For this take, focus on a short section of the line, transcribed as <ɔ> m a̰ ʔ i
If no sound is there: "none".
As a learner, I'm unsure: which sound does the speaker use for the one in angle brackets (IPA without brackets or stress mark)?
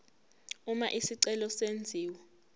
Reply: u